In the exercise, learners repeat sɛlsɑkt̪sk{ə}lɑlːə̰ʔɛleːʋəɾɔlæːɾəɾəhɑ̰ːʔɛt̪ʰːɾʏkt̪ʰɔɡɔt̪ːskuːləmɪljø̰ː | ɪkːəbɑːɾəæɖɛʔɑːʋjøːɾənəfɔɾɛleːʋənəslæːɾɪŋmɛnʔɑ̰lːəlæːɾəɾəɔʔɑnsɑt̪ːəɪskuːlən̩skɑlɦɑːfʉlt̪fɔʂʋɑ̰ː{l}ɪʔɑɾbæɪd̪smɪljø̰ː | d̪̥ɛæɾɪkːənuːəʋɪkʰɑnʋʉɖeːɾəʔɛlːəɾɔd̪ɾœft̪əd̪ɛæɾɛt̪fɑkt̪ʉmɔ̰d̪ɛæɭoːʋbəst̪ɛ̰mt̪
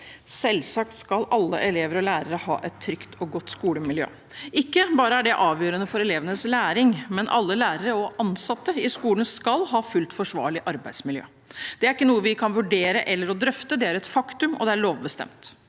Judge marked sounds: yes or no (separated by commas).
no, no